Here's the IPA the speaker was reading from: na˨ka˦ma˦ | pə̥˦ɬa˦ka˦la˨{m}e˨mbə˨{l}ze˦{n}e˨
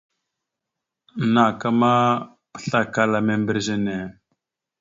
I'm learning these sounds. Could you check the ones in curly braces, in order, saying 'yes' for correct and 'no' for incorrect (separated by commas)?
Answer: yes, no, yes